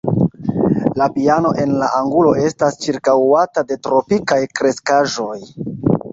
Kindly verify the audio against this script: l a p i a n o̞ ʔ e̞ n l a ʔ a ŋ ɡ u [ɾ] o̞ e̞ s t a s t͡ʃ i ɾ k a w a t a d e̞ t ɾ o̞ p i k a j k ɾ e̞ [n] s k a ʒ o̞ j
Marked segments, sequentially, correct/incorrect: incorrect: l, incorrect: none

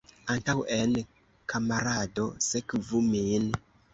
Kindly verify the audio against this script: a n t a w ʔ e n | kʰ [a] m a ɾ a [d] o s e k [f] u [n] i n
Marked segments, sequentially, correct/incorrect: correct, correct, incorrect: v, incorrect: m

